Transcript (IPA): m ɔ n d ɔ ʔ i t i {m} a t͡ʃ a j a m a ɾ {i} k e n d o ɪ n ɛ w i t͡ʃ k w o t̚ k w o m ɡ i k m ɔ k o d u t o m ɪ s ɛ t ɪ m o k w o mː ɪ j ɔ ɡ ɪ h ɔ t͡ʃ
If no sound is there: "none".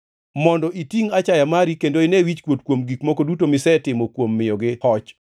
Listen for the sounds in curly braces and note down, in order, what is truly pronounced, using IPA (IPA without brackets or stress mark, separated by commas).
ŋ, i